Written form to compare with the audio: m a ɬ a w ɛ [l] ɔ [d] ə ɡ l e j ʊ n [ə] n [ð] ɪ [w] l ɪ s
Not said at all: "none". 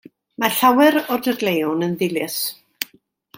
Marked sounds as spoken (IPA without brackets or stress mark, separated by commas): ɾ, d, ə, ð, none